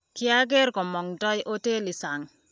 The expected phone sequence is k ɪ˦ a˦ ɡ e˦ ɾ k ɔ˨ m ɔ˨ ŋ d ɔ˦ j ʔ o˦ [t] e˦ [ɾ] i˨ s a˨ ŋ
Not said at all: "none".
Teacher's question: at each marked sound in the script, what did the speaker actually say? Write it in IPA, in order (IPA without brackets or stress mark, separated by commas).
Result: t, l